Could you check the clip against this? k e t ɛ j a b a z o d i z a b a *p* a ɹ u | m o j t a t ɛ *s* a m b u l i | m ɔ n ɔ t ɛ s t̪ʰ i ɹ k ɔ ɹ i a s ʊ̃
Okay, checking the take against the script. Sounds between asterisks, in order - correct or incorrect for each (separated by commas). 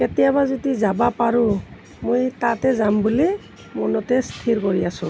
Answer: correct, incorrect